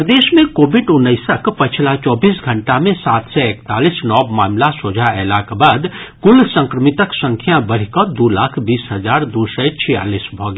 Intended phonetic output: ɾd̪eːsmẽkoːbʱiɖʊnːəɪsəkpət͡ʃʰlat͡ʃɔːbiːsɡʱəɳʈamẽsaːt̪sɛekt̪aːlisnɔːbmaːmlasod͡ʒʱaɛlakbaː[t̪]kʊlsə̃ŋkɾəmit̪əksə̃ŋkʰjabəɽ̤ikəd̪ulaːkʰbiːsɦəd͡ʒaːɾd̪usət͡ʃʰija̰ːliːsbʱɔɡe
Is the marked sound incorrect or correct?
incorrect